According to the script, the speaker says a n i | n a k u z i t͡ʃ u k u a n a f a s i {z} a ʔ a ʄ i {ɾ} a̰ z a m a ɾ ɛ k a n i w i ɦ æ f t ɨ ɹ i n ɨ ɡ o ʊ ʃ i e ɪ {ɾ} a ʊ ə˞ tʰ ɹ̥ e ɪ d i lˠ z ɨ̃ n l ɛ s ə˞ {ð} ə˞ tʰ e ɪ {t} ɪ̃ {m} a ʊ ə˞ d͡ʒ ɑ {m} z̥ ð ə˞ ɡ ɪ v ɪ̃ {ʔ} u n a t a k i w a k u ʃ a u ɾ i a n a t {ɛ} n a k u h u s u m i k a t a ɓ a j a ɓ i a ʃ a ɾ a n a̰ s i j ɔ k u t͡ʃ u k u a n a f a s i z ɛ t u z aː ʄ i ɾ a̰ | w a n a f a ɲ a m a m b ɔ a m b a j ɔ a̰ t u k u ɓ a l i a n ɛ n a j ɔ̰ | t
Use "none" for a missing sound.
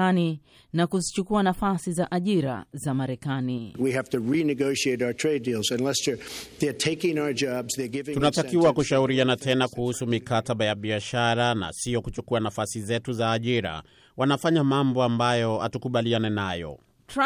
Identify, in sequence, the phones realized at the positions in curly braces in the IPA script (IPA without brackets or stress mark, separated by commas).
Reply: z, ɾ, ɾ, ð, k, ŋ, b, t, ɛ